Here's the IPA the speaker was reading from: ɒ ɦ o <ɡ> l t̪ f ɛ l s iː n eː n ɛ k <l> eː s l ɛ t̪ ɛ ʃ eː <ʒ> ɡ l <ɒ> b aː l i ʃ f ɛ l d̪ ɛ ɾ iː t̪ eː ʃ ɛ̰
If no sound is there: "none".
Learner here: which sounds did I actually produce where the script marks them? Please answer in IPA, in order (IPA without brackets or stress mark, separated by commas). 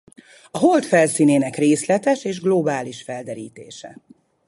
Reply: none, r, ʒ, o